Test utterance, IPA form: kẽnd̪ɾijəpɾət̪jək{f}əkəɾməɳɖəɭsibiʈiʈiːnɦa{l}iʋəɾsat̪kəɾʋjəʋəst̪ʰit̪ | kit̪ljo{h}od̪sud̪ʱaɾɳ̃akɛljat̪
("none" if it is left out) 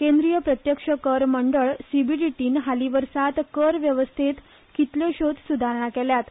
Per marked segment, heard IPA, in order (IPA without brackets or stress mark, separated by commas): ʂ, l, ɕ